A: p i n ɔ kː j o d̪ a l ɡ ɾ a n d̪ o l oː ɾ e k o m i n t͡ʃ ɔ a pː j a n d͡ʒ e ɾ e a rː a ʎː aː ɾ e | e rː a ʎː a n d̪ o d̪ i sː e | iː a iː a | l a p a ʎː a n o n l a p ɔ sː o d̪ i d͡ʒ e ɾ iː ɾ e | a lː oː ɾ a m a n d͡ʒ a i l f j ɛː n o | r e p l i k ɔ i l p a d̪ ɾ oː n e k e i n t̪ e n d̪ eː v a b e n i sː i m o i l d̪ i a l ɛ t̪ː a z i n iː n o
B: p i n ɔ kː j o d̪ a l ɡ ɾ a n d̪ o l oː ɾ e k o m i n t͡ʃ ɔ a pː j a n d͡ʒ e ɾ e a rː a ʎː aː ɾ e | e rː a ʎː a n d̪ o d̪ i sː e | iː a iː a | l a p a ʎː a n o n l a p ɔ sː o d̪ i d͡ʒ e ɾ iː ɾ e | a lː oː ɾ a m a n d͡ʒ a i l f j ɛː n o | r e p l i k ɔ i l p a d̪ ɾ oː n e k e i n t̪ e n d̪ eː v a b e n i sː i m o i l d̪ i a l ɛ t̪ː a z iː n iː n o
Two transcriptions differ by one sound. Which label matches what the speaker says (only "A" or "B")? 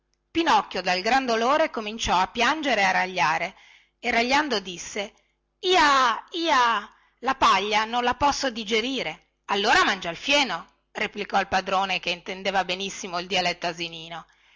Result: A